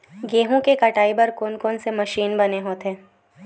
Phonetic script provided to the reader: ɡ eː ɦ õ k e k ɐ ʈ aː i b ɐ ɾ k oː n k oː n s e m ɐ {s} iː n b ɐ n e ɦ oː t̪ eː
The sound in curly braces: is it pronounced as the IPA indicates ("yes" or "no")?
no